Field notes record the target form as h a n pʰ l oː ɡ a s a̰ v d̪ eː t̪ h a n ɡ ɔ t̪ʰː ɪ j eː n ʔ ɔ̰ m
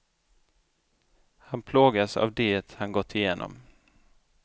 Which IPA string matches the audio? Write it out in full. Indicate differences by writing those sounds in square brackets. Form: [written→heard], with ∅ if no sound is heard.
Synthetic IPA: h a n pʰ l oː ɡ a s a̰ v d̪ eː t̪ h a n ɡ ɔ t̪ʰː ɪ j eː n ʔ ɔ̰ m